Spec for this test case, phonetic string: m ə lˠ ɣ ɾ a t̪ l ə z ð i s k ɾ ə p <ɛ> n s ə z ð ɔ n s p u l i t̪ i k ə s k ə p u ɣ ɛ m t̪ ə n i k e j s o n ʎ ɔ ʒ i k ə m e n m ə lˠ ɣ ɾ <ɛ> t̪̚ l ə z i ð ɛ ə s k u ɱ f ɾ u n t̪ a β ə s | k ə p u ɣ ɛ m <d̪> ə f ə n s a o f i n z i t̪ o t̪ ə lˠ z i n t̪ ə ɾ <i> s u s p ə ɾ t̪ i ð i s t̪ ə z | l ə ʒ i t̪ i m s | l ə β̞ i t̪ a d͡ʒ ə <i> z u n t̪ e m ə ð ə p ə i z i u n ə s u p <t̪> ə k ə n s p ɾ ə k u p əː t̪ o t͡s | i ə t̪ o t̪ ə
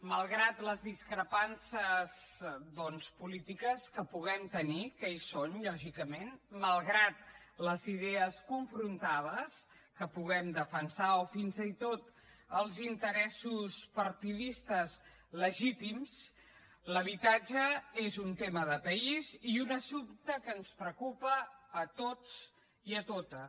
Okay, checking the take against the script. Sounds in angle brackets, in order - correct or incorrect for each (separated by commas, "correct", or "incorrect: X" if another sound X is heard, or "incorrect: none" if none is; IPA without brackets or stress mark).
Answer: incorrect: a, incorrect: a, correct, incorrect: ɛ, incorrect: e, correct